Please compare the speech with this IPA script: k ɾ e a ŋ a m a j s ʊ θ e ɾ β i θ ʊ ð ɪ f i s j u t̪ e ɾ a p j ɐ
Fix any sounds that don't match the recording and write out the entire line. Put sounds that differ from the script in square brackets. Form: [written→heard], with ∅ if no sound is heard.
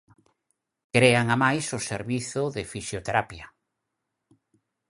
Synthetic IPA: k ɾ e a ŋ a m a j s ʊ [θ→s] e ɾ β i θ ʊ ð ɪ f i s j [u→o] t̪ e ɾ a p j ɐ